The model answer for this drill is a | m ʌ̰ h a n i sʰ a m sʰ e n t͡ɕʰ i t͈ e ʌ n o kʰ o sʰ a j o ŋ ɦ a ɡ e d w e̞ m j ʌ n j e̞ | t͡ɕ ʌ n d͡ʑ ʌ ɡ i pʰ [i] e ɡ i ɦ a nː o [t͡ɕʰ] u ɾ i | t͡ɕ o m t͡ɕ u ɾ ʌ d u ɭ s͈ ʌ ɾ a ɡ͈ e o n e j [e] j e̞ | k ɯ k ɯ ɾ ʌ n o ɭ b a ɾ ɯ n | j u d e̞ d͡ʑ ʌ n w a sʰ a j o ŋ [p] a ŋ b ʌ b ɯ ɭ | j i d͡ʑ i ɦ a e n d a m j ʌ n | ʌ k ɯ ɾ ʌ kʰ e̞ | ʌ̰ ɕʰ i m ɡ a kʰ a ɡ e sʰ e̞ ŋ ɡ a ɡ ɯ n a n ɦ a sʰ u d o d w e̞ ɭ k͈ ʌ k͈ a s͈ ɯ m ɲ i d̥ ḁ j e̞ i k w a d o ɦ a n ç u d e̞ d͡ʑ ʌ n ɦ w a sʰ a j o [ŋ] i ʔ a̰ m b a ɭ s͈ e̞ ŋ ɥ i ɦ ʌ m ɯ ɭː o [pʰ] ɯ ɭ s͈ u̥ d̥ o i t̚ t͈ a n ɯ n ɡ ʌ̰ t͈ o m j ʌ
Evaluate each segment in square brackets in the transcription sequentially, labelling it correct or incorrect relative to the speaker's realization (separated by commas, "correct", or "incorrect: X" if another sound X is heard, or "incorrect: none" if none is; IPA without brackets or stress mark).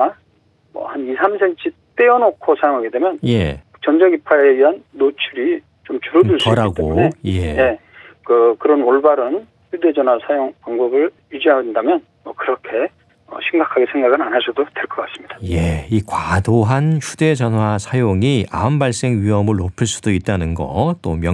incorrect: a, correct, correct, correct, correct, correct